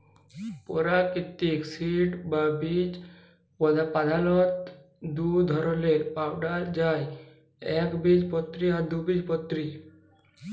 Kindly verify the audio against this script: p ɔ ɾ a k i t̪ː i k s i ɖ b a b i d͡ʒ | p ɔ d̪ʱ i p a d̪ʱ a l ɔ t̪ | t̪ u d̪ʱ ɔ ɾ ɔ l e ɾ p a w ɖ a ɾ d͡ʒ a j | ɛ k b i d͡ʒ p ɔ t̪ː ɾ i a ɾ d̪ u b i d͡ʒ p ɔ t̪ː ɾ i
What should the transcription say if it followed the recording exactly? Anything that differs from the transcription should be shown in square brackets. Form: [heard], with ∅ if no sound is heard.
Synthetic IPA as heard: p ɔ ɾ a k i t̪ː i k s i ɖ b a b i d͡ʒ | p ɔ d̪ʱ [a] p a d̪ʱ a l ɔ t̪ | [d̪] u d̪ʱ ɔ ɾ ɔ l e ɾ p a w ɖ a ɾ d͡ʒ a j | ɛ k b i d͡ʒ p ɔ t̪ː ɾ i a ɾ d̪ u b i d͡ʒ p ɔ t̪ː ɾ i

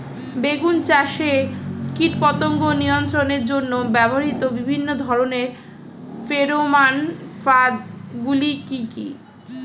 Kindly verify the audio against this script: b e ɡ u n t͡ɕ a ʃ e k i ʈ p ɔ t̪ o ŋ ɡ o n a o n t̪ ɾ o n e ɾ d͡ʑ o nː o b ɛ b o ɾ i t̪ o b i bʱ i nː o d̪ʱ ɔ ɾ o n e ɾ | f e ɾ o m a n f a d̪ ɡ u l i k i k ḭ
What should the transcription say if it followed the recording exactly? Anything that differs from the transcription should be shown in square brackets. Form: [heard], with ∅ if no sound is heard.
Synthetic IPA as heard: b e ɡ u n t͡ɕ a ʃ e k i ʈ p ɔ t̪ o ŋ ɡ o n [i] o n t̪ ɾ o n e ɾ d͡ʑ o nː o b ɛ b o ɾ i t̪ o b i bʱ i nː o d̪ʱ ɔ ɾ o n e ɾ | f e ɾ o m a n f a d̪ ɡ u l i k i k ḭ

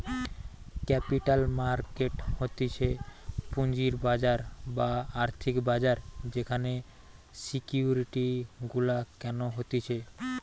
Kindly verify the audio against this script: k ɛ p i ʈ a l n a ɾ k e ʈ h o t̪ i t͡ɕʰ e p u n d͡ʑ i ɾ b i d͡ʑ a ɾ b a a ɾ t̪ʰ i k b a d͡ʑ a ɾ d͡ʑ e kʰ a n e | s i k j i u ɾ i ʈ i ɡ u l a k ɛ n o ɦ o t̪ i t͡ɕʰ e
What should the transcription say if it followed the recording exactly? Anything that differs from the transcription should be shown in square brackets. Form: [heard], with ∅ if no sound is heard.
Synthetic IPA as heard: k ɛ p i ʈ a l [m] a ɾ k e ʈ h o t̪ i t͡ɕʰ e p u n d͡ʑ i ɾ b [a] d͡ʑ a ɾ b a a ɾ t̪ʰ i k b a d͡ʑ a ɾ d͡ʑ e kʰ a n e | s i k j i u ɾ i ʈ i ɡ u l a k ɛ n o ɦ o t̪ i t͡ɕʰ e

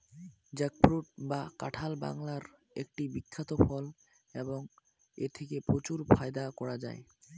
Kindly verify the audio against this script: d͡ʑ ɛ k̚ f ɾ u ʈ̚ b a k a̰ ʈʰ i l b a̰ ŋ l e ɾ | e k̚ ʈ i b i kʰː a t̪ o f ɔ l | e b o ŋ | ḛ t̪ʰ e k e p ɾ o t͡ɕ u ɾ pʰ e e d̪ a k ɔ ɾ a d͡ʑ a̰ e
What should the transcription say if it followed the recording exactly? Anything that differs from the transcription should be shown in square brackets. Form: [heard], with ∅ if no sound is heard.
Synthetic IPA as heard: d͡ʑ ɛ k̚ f ɾ u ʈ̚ b a k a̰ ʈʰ [a] l b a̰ ŋ l [a] ɾ | e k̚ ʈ i b i kʰː a t̪ o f ɔ l | e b o ŋ | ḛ t̪ʰ e k e p ɾ o t͡ɕ u ɾ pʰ [a] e d̪ a k ɔ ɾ a d͡ʑ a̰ e

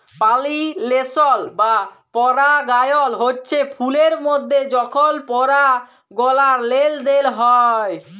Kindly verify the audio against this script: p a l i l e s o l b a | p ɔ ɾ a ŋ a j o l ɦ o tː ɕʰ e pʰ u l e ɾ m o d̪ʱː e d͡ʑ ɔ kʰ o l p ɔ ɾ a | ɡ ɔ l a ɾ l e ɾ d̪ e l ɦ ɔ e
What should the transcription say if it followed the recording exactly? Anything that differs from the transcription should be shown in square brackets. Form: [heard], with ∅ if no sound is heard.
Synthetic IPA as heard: p a l i l e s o l b a | p ɔ ɾ a [ɡ] a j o l ɦ o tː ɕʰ e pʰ u l e ɾ m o d̪ʱː e d͡ʑ ɔ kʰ o l p ɔ ɾ a | ɡ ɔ l a ɾ l e [l] d̪ e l ɦ ɔ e

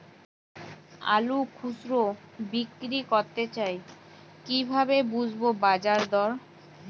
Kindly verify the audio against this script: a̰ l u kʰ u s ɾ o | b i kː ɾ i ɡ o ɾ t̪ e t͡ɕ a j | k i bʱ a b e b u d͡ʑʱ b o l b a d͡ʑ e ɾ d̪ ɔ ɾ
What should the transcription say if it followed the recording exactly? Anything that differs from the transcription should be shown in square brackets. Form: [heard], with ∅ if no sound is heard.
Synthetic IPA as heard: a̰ l u kʰ u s ɾ o | b i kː ɾ i [k] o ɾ t̪ e t͡ɕ a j | k i bʱ a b e b u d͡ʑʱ b o [∅] b a d͡ʑ [a] ɾ d̪ ɔ ɾ

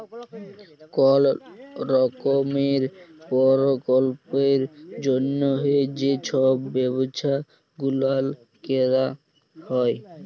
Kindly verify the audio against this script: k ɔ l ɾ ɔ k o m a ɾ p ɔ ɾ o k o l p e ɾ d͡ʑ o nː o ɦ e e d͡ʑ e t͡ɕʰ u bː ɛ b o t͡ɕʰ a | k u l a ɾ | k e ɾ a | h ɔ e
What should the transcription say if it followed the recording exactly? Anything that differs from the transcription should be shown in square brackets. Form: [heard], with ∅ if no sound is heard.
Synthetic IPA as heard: k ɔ l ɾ ɔ k o m [e] ɾ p ɔ ɾ o k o l p e ɾ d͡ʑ o nː o ɦ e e d͡ʑ e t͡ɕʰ [ɔ] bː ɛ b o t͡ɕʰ a | [ɡ] u l a [l] | k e ɾ a | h ɔ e

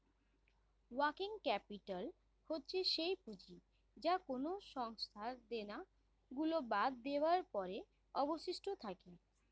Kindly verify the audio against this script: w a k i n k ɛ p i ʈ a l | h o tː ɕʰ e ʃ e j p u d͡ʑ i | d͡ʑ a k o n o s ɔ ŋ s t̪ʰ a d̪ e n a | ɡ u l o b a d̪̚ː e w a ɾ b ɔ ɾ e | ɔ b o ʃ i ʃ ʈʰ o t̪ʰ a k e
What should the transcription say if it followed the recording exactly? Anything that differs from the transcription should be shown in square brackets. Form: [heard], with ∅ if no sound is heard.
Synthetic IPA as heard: w a k i [ŋ] k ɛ p i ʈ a l | h o tː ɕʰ e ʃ e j p u d͡ʑ i | d͡ʑ a k o n o [ʃ] ɔ ŋ s t̪ʰ a d̪ e n a | ɡ u l o b a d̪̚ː e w a ɾ [p] ɔ ɾ e | ɔ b o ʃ i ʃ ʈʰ o t̪ʰ a k e

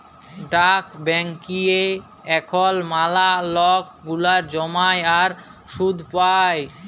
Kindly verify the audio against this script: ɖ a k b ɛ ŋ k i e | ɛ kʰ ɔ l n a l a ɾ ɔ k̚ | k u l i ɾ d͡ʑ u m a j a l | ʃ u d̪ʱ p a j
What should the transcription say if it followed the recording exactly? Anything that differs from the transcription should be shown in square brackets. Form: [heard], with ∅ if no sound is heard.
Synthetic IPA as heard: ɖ a k b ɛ ŋ k i e | ɛ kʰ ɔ l [m] a l a [l] ɔ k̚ | [ɡ] u l [a] ɾ d͡ʑ [ɔ] m a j a [ɾ] | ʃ u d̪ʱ p a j

